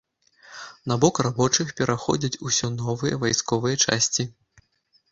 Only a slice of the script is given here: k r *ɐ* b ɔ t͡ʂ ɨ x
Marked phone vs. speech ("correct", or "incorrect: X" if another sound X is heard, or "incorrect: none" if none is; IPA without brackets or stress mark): incorrect: a